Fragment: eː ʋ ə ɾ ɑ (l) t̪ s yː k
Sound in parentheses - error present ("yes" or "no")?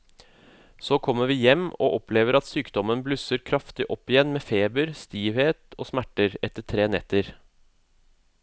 yes